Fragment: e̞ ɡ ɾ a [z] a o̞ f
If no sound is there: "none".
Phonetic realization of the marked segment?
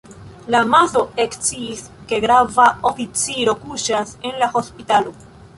v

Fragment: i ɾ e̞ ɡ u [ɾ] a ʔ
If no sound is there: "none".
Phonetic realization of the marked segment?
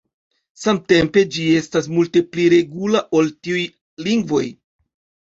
l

